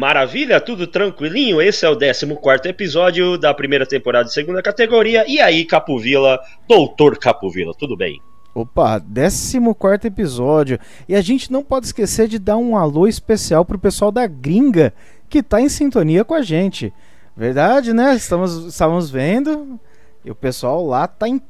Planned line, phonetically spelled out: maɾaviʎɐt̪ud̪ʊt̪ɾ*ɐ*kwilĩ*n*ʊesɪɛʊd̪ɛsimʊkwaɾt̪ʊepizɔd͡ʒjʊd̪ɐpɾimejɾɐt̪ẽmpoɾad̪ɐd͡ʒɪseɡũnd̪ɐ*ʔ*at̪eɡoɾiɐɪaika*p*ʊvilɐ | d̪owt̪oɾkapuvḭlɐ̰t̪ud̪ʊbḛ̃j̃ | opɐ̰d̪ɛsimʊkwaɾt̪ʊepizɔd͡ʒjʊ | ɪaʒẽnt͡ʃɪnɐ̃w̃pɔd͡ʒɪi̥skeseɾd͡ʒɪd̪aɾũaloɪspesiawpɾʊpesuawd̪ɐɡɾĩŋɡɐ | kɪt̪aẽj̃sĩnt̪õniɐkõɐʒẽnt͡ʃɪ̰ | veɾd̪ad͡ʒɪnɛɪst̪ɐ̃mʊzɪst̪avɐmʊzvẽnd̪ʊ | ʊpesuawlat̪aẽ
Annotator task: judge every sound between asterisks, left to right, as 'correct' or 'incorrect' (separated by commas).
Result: incorrect, incorrect, incorrect, correct